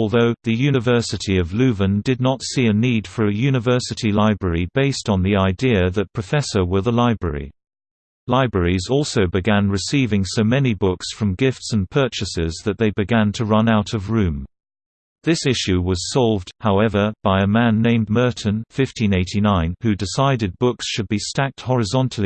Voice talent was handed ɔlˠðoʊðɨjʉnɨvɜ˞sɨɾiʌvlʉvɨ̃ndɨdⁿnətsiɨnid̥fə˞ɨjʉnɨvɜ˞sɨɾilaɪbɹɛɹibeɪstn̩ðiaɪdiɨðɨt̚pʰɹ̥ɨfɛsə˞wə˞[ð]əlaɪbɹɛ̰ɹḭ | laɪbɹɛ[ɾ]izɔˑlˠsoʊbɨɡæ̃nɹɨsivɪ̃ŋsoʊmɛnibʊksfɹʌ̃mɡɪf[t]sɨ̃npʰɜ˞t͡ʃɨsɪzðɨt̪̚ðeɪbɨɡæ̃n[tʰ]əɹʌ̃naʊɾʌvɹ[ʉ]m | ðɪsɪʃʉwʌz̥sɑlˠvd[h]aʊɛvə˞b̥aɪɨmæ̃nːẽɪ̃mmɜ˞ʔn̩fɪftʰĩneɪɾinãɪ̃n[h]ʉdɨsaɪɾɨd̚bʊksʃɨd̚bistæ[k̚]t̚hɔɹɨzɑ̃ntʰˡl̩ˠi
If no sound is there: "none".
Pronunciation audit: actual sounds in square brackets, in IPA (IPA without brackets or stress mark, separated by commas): ð, ɹ, t, tʰ, ʉ̃, h, h, k̚